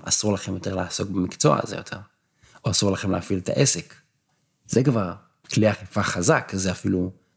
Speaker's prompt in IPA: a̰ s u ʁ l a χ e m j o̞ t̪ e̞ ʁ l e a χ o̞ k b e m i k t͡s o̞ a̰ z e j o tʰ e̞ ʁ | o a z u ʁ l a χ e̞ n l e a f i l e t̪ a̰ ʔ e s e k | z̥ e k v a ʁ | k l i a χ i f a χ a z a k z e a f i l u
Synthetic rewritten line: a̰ s u ʁ l a χ e m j o̞ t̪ e̞ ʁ l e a s o̞ k b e m i k t͡s o̞ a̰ z e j o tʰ e̞ ʁ | o a s u ʁ l a χ e̞ m l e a f i l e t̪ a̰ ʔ e s e k | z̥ e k v a ʁ | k l i a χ i f a χ a z a k z e a f i l u